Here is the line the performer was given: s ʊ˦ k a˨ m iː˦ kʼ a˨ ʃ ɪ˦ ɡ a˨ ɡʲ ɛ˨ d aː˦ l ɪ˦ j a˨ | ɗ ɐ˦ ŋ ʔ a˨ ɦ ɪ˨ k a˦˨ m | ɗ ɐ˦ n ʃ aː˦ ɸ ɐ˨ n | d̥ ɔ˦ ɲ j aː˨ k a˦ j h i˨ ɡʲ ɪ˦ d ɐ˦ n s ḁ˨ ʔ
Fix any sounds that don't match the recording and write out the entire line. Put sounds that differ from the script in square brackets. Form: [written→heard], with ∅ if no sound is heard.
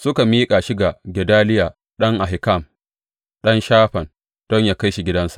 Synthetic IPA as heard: s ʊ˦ k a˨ m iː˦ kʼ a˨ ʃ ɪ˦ ɡ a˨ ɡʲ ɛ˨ d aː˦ l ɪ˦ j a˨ | ɗ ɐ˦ ŋ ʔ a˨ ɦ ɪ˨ k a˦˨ m | ɗ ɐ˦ n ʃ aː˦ ɸ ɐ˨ n | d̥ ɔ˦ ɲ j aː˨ k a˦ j [h→ʃ] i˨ ɡʲ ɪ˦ d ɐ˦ n s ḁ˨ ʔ